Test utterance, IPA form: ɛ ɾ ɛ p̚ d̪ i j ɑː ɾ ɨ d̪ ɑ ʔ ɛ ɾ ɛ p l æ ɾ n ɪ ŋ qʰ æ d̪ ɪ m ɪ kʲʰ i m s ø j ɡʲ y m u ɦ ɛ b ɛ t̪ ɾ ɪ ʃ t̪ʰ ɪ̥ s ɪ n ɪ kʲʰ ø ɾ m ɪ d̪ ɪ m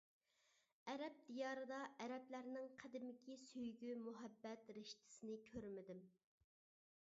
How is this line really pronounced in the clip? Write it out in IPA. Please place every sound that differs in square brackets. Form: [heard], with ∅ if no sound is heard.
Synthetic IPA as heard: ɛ ɾ ɛ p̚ d̪ i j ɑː ɾ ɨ d̪ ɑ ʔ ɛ ɾ ɛ p l æ ɾ n ɪ ŋ qʰ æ d̪ ɪ m ɪ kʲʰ i [∅] s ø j ɡʲ y m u ɦ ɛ [bː] ɛ t̪ ɾ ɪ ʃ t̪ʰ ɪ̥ s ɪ n ɪ kʲʰ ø ɾ m ɪ d̪ ɪ m